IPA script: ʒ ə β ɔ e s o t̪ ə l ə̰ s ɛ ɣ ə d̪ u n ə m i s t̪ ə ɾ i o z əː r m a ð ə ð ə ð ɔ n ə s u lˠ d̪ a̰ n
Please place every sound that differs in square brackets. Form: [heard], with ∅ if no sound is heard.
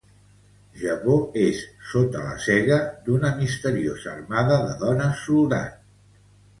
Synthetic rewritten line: ʒ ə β [o] e [sː] o t̪ ə l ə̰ s ɛ ɣ ə d̪ u n ə m i s t̪ ə ɾ i o z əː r m a ð ə ð ə ð ɔ n ə s u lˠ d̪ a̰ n